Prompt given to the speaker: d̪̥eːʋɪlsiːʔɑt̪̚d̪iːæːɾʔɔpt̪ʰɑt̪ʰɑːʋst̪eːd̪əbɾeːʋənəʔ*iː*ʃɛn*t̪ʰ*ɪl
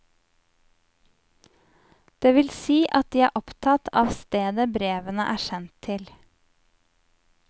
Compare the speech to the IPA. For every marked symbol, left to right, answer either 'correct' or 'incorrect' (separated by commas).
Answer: incorrect, correct